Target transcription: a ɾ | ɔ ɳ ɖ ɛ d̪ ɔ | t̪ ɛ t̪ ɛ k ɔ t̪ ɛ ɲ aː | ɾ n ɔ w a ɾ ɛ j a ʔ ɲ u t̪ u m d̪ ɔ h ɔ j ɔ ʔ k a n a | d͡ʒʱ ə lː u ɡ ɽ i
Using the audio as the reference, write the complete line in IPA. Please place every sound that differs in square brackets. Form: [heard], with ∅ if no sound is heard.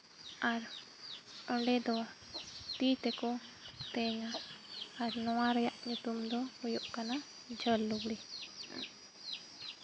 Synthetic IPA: a ɾ | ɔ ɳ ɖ ɛ d̪ ɔ | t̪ [i] t̪ ɛ k ɔ t̪ ɛ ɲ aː | ɾ n ɔ w a ɾ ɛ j a ʔ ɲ u t̪ u m d̪ ɔ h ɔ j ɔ ʔ k a n a | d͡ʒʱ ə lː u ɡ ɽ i

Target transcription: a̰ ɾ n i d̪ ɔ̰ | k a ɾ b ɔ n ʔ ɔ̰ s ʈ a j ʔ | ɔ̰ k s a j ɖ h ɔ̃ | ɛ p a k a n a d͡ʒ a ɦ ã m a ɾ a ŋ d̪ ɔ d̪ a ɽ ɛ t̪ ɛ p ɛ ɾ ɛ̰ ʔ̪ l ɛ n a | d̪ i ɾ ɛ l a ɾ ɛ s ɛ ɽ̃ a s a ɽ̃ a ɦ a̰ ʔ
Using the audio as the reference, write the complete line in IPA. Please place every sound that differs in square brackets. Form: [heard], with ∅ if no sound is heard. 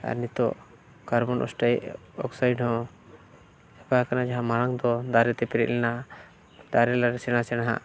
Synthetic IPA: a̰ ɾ n i [t̪] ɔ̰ | k a ɾ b ɔ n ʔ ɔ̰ s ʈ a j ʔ | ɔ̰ k s a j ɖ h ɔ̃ | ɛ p a k a n a d͡ʒ a ɦ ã m a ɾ a ŋ d̪ ɔ d̪ a [ɾ] ɛ t̪ ɛ p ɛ ɾ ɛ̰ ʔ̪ l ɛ n a | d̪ [a] ɾ ɛ l a ɾ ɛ s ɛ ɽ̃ a s [ɛ] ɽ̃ a ɦ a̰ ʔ

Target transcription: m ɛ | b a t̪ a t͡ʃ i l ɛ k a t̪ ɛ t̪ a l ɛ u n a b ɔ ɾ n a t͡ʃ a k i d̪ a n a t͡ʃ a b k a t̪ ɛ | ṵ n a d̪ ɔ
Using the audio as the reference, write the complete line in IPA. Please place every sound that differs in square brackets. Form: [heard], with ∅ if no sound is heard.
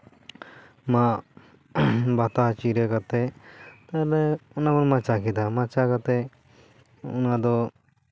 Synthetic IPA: m [a] | b a t̪ a t͡ʃ i [ɾ] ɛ k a t̪ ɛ t̪ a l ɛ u n a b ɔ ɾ [m] a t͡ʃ a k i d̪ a [m] a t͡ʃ a [∅] k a t̪ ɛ | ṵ n a d̪ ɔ

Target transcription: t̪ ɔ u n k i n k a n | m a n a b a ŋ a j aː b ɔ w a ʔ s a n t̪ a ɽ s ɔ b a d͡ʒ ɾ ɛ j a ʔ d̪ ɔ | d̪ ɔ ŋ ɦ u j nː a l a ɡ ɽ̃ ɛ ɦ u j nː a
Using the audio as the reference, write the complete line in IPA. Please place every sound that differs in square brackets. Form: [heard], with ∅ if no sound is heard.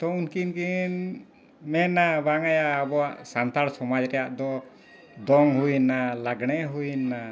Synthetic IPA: t̪ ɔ u n k i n k [i] n | m [ɛ] n a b a ŋ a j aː b ɔ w a ʔ s a n t̪ a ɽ s ɔ [m] a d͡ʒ ɾ ɛ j a ʔ d̪ ɔ | d̪ ɔ ŋ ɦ u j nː a l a ɡ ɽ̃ ɛ ɦ u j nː a

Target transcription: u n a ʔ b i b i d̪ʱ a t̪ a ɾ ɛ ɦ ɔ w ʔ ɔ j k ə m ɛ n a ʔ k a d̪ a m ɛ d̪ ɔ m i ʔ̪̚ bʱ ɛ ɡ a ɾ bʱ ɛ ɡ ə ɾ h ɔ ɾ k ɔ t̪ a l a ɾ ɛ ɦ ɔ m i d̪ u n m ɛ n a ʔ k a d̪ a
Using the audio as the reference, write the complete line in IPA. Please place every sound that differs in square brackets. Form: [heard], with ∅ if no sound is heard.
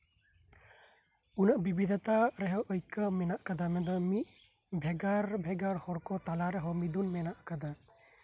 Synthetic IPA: u n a ʔ b i b i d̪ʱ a t̪ a ɾ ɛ ɦ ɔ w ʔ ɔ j k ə m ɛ n a ʔ k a d̪ a m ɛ d̪ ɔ m i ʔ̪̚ bʱ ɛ ɡ a ɾ bʱ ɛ ɡ [a] ɾ h ɔ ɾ k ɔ t̪ a l a ɾ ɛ ɦ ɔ m i d̪ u n m ɛ n a ʔ k a d̪ a

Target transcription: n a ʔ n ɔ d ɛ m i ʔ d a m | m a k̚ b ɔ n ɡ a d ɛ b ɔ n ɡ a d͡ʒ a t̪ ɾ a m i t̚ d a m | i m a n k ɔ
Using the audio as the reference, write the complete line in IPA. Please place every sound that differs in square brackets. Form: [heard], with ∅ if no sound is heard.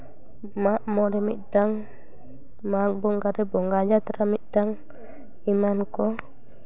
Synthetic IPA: [m] a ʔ [m] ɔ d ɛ m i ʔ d a [ŋ] | m a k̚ b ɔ [ŋ] ɡ a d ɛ b ɔ [ŋ] ɡ a d͡ʒ a t̪ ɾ a m i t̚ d a [ŋ] | i m a n k ɔ

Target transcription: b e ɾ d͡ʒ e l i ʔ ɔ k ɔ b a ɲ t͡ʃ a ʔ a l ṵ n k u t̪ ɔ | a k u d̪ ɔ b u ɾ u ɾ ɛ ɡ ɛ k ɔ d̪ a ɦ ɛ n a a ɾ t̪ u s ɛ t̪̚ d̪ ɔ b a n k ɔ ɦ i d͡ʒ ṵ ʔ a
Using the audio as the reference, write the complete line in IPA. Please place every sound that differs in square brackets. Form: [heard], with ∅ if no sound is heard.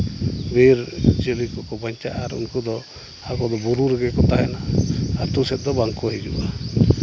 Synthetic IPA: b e ɾ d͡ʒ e l i [k] ɔ k ɔ b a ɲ t͡ʃ a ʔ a [ɾ] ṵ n k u [d̪] ɔ | a k [ɔ] d̪ ɔ b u ɾ u ɾ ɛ ɡ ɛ k ɔ [t̪] a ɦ ɛ n a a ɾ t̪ u s ɛ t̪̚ d̪ ɔ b a [ŋ] k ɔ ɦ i d͡ʒ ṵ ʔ a

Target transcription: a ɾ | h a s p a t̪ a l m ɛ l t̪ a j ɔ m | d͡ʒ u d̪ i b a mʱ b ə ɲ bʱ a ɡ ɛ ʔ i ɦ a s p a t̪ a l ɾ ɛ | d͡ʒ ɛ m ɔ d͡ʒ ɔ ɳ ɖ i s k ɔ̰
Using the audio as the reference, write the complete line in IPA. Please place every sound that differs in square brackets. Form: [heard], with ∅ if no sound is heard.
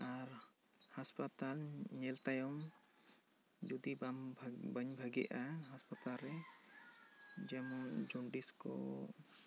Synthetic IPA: a ɾ | h a s p a t̪ a l [ɲ] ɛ l t̪ a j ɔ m | d͡ʒ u d̪ i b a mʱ b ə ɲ bʱ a ɡ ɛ ʔ [a] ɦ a s p a t̪ a l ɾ ɛ | d͡ʒ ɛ m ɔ d͡ʒ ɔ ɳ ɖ i s k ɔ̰

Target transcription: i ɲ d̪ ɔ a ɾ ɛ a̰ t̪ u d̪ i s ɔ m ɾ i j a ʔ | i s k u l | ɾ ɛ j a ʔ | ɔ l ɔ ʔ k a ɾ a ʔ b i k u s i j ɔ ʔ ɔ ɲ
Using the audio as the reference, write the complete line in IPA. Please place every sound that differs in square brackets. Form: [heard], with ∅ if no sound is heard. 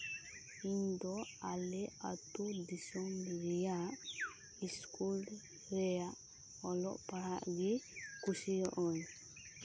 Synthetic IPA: i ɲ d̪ ɔ a [l] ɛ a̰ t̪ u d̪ i s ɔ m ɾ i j a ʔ | i s k u l | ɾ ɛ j a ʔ | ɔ l ɔ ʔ [p] a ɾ a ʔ [ɡ] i k u s i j ɔ ʔ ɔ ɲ

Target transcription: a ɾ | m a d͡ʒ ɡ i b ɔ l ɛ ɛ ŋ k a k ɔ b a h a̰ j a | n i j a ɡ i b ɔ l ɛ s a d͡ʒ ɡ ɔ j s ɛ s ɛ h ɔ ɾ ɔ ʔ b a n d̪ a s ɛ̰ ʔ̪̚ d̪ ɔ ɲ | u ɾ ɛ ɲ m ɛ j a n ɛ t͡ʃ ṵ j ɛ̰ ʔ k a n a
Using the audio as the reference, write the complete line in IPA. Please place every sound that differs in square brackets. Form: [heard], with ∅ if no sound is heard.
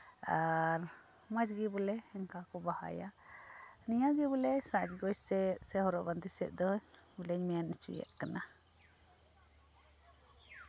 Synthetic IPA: a ɾ | m a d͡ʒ ɡ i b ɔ l ɛ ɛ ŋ k a k ɔ b a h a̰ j a | n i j a ɡ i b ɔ l ɛ s a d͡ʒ ɡ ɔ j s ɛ s ɛ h ɔ ɾ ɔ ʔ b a n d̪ [i] s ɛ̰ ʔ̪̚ d̪ ɔ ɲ | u [l] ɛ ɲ m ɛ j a n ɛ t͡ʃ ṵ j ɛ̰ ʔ k a n a

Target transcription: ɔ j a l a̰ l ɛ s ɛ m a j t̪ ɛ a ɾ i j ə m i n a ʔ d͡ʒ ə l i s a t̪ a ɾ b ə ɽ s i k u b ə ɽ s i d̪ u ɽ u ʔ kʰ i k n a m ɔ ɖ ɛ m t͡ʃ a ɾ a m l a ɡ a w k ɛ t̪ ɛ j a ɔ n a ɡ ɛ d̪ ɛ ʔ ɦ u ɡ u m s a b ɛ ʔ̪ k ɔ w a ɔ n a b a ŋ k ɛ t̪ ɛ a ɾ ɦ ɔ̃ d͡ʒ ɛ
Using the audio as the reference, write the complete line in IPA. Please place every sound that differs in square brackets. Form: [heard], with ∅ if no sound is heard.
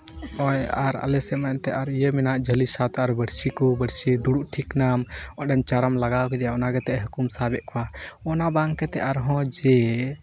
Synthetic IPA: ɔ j a [ɾ] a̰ l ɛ s ɛ m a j t̪ ɛ a ɾ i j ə m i n a ʔ d͡ʒ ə l i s a t̪ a ɾ b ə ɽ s i k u b ə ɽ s i d̪ u ɽ u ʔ [ʈʰ] i k n a m ɔ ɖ ɛ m t͡ʃ a ɾ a m l a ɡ a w k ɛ [d̪] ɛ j a ɔ n a ɡ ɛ [t̪] ɛ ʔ ɦ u [k] u m s a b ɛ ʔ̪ k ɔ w a ɔ n a b a ŋ k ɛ t̪ ɛ a ɾ ɦ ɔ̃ d͡ʒ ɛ

